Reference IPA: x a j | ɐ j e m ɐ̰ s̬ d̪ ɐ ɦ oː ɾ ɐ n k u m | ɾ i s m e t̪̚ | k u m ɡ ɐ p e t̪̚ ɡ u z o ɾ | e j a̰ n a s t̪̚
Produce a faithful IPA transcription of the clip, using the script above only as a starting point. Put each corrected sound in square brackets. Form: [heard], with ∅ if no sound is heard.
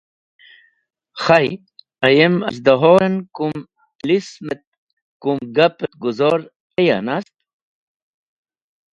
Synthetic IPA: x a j | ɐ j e m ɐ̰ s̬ d̪ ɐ ɦ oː ɾ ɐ n k u m | [l] i s m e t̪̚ | k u m ɡ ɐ p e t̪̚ ɡ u z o ɾ | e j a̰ n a s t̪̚